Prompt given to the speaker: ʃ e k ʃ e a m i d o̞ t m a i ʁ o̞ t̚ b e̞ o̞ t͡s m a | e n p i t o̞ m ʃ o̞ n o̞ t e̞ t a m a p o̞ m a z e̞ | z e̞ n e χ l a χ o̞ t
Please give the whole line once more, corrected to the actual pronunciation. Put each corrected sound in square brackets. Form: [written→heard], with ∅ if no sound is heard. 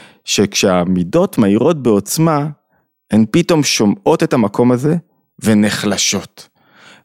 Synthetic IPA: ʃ e k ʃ e a m i d o̞ t m a i ʁ o̞ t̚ b e̞ o̞ t͡s m a | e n p i t o̞ m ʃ o̞ [n→m] o̞ t e̞ t a m a [p→k] o̞ m a z e̞ | [z→v] e̞ n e χ l a [χ→ʃ] o̞ t